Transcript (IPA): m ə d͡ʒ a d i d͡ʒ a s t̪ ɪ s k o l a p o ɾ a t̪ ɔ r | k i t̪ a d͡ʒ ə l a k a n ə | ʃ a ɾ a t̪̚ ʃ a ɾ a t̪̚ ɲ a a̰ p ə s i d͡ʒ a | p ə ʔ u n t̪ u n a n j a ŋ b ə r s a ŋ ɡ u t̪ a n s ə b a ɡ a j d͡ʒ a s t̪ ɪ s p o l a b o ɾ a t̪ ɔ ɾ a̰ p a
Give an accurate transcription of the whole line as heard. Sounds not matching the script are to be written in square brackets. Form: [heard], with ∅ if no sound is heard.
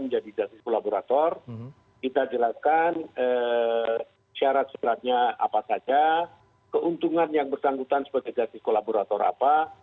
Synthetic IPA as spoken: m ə d͡ʒ a d i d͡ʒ a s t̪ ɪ s k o l a [b] o ɾ a t̪ ɔ r | k i t̪ a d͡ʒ ə l a k a n ə | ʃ a ɾ a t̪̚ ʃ a ɾ a t̪̚ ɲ a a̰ p [a] s [a] d͡ʒ a | [k] ə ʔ u n t̪ u [ŋ] a n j a ŋ b ə r s a ŋ ɡ u t̪ a n s ə b a ɡ a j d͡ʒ a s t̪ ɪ s [k] o l a b o ɾ a t̪ ɔ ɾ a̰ p a